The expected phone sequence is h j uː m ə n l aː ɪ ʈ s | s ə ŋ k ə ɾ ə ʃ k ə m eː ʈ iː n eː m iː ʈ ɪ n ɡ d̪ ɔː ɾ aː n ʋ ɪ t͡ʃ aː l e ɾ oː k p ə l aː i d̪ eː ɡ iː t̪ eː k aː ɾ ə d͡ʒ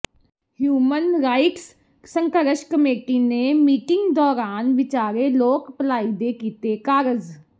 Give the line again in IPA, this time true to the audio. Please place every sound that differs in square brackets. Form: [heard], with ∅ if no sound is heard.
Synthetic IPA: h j uː m ə n [ɾ] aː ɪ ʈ s | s ə ŋ k ə ɾ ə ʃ k ə m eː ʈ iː n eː m iː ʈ ɪ [ŋ] ɡ d̪ ɔː ɾ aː n ʋ ɪ t͡ʃ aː [ɾ] e [l] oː k p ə l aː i d̪ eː [k] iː t̪ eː k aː ɾ ə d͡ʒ